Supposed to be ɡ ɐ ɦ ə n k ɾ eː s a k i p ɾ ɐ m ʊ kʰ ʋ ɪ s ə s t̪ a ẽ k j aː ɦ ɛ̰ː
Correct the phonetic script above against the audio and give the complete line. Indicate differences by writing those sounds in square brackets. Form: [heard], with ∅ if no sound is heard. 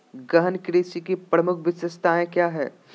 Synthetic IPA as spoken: ɡ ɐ ɦ ə n k ɾ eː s [i] k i p ɾ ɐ m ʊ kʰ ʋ ɪ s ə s t̪ a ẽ k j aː ɦ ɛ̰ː